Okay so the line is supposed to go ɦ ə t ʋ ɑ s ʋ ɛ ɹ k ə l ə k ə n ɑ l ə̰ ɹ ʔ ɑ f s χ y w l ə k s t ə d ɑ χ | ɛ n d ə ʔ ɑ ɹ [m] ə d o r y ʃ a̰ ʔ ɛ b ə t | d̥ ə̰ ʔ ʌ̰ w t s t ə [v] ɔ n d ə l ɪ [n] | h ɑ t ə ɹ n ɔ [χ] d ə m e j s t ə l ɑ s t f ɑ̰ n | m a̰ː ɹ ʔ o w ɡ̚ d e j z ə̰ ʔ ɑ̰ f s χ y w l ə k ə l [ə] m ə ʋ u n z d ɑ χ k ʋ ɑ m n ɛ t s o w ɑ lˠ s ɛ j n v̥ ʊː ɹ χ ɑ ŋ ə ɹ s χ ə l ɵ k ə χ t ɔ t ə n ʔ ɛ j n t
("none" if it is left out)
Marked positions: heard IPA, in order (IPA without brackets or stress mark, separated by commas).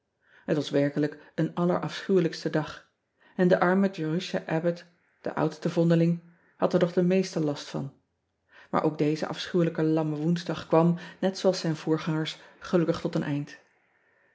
m, v, ŋ, χ, ɑ